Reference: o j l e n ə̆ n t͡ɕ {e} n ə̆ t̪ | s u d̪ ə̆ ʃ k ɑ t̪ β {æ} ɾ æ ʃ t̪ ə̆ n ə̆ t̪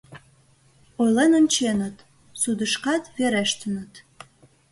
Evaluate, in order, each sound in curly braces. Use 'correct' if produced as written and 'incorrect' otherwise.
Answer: correct, incorrect: e

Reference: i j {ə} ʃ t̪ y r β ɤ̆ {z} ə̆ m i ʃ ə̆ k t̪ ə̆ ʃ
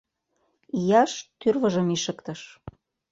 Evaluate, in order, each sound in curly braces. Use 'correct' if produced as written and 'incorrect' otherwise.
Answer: incorrect: ɑ, incorrect: ʒ

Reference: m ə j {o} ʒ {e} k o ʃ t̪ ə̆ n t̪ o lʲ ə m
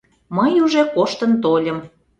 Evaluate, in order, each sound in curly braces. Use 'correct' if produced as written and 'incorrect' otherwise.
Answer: incorrect: u, correct

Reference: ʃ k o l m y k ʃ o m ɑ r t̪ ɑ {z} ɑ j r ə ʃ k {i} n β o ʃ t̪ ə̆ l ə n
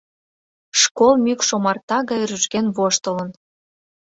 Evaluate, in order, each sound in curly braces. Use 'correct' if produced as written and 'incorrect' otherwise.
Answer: incorrect: ɣ, incorrect: e

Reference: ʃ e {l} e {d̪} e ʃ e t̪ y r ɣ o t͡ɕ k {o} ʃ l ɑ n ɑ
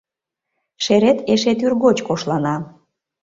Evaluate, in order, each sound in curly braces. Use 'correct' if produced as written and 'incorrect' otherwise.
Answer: incorrect: ɾ, incorrect: t̪, correct

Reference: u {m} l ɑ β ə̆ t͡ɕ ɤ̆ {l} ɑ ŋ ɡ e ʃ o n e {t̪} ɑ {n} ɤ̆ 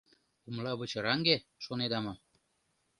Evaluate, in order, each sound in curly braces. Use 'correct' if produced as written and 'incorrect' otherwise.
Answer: correct, incorrect: ɾ, incorrect: d̪, incorrect: m

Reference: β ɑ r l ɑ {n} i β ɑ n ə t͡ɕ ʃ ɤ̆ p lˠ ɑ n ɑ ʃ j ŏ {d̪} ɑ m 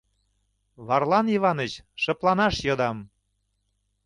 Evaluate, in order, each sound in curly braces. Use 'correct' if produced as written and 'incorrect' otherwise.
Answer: correct, correct

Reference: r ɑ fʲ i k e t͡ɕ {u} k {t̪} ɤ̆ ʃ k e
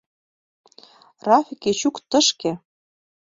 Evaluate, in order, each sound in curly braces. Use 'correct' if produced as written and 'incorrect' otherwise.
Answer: correct, correct

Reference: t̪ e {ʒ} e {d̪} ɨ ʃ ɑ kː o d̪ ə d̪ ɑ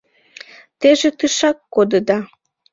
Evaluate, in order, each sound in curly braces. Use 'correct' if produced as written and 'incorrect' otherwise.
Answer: correct, incorrect: t̪

